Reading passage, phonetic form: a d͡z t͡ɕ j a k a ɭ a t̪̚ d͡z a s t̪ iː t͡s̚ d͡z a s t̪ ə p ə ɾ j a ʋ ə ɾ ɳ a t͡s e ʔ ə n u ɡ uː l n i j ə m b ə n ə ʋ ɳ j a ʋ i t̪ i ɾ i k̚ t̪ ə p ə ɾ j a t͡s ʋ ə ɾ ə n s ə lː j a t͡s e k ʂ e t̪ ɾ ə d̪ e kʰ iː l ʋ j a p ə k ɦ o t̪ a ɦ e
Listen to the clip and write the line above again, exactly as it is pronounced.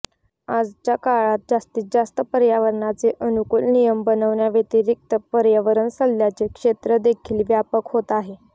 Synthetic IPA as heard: a d͡z t͡ɕ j a k a ɭ a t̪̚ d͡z a s t̪ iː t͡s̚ d͡z a s t̪ ə p ə ɾ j a ʋ ə ɾ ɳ a t͡s e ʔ ə n u k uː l n i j ə m b ə n ə ʋ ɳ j a ʋ e t̪ i ɾ i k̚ t̪ ə p ə ɾ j a ʋ ə ɾ ə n s ə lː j a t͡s e k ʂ e t̪ ɾ ə d̪ e kʰ iː l ʋ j a p ə k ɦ o t̪ a ɦ e